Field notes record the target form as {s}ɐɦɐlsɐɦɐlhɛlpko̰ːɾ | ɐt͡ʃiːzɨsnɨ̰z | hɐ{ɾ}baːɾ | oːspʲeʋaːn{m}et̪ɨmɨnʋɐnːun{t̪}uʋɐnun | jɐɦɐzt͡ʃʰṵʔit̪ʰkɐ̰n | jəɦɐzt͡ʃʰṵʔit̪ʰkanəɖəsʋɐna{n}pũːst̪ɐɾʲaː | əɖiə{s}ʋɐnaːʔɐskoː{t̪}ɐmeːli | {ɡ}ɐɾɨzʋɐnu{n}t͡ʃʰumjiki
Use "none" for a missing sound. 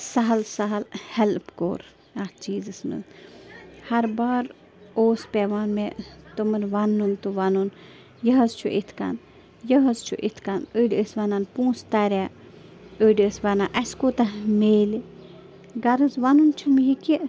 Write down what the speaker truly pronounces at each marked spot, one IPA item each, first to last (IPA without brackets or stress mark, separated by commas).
s, ɾ, m, t̪, n, s, t̪, ɡ, n